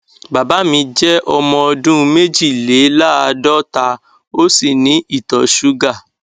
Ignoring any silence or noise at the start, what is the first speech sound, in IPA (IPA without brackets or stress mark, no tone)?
b